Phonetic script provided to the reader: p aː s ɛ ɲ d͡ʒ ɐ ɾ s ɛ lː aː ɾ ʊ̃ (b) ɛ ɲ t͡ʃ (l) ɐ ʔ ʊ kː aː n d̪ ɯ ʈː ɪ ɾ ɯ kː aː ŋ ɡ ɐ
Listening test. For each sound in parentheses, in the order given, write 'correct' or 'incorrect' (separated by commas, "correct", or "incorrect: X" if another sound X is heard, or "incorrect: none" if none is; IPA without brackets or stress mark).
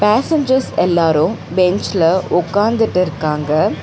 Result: correct, correct